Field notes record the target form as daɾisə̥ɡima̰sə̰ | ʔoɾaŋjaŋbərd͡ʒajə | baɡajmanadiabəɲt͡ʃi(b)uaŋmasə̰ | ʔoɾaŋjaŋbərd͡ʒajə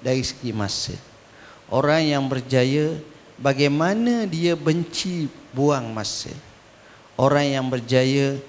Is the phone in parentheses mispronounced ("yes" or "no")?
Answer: no